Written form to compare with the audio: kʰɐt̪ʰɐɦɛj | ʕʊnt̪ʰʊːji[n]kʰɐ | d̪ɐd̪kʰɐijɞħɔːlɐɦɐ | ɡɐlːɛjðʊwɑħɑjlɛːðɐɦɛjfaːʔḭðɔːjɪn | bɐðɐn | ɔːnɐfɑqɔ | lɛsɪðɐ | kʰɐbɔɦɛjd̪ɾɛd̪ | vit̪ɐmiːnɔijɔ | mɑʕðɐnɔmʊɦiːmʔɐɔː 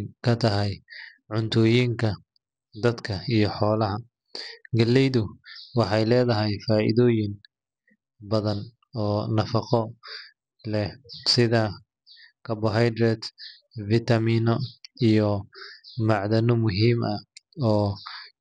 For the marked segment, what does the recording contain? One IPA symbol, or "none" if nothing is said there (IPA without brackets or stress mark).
ŋ